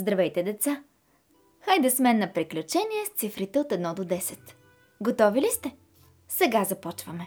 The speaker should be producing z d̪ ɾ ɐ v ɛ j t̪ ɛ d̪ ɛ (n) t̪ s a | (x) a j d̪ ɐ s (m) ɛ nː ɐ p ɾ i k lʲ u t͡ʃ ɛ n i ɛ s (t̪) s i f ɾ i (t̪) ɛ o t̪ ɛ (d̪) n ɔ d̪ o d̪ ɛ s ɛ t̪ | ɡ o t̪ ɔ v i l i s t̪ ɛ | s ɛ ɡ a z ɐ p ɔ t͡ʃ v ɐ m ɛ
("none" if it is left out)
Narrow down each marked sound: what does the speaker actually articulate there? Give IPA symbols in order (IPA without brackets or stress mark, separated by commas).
none, x, m, t̪, t̪, d̪